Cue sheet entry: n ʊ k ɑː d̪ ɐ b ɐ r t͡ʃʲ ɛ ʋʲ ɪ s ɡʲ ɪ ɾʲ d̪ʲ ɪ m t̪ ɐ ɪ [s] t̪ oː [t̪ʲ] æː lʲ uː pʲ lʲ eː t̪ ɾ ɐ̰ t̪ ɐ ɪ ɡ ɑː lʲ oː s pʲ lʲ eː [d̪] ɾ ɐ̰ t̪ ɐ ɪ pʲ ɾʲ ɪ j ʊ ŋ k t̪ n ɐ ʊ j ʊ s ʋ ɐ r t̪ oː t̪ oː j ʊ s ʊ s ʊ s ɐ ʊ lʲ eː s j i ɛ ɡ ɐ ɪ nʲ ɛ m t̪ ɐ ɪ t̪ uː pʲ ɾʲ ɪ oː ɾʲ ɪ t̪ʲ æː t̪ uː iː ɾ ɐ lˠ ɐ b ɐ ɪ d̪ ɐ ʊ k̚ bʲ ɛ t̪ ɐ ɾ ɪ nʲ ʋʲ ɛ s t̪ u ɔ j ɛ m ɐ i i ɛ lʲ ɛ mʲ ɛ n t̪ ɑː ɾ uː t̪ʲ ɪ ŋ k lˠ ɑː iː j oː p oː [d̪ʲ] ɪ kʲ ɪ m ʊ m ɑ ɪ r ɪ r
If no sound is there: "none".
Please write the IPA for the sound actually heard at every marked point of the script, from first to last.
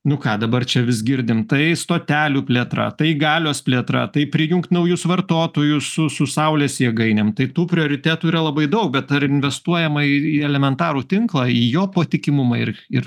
s, t̪ʲ, t̪, t̪ʲ

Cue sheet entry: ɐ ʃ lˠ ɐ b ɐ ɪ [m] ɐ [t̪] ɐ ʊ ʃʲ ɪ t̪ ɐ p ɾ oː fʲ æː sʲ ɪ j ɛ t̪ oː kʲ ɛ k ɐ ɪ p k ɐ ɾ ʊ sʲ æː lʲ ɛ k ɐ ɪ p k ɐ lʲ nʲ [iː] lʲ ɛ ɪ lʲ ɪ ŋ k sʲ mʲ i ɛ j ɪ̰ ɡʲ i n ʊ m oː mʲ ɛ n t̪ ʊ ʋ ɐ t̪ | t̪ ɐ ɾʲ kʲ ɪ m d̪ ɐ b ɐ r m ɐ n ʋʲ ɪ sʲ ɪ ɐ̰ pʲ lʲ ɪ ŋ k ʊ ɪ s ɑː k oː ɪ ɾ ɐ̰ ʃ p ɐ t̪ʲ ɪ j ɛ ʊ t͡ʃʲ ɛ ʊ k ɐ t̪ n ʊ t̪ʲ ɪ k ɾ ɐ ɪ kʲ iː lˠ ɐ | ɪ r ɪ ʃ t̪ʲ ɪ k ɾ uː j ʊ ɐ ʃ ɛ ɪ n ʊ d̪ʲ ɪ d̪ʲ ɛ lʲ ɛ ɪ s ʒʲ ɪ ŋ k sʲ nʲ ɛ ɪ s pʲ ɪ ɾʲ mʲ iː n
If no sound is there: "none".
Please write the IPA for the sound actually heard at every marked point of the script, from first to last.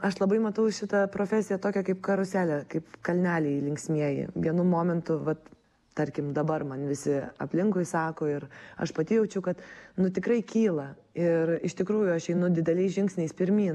m, t̪, æː

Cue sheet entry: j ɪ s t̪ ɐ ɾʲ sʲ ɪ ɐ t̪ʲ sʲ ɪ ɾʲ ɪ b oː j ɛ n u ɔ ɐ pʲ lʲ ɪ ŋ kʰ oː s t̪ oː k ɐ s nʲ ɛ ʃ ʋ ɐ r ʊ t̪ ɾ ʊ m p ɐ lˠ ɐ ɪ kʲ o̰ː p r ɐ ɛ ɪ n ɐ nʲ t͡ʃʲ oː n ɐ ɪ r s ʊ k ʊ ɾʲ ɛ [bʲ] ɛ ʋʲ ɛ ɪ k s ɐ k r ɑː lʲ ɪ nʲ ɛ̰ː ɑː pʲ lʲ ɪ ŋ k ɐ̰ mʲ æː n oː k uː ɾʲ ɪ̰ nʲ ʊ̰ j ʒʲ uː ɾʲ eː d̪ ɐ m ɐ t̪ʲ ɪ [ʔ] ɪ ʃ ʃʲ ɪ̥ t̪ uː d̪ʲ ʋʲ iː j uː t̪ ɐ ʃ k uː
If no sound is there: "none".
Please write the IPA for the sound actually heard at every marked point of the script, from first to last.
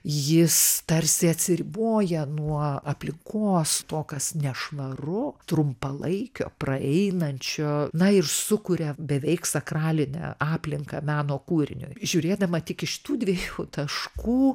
bʲ, k

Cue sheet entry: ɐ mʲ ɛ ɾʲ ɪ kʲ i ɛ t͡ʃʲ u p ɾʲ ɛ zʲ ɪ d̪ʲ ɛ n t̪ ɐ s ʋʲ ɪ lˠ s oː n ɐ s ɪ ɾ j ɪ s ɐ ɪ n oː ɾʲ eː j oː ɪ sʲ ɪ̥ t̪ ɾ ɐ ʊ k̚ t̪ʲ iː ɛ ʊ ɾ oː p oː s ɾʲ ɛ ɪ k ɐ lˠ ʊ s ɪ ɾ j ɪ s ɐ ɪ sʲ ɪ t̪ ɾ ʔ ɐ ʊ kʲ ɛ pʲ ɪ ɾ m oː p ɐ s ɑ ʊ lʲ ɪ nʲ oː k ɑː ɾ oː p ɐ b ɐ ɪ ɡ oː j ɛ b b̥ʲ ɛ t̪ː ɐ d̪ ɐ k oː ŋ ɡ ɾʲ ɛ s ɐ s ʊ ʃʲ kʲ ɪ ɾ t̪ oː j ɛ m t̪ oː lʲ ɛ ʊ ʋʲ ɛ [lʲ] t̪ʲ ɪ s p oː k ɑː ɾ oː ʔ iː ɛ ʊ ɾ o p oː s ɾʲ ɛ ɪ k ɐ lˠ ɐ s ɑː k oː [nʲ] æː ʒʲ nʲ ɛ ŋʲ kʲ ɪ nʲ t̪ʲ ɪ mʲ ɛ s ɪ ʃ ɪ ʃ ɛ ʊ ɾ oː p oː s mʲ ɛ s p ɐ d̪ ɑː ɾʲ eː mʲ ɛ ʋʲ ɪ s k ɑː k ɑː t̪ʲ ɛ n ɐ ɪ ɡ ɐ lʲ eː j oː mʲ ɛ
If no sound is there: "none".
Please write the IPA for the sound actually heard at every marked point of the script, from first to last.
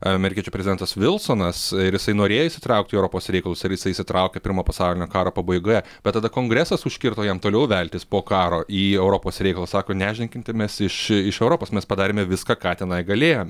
lʲ, nʲ

